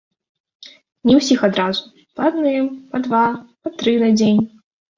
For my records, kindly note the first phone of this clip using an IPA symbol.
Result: nʲ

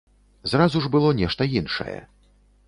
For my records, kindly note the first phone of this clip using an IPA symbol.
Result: z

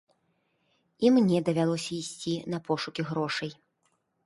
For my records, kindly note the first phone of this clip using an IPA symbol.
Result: i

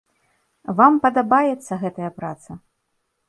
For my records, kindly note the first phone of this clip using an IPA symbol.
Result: v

